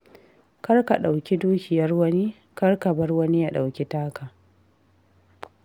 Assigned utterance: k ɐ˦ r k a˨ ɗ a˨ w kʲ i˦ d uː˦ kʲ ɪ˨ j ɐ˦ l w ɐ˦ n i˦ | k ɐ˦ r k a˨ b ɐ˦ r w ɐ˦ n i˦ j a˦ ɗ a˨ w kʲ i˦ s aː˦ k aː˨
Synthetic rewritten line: k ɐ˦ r k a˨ ɗ a˨ w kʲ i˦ d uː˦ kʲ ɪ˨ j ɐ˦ r w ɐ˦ n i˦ | k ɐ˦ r k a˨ b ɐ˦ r w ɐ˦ n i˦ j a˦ ɗ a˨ w kʲ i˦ t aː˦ k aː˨